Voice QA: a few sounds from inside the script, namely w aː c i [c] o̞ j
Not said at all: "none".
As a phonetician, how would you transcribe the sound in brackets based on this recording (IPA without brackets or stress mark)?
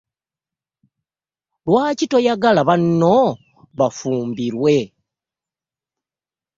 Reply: t